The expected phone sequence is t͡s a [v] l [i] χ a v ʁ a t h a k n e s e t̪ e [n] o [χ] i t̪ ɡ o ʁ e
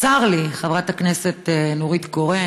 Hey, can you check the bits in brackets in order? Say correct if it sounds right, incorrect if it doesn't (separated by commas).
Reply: incorrect, correct, correct, incorrect